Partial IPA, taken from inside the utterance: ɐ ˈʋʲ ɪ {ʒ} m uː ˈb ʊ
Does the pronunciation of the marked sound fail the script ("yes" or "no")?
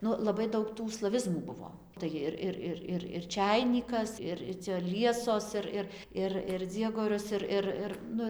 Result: yes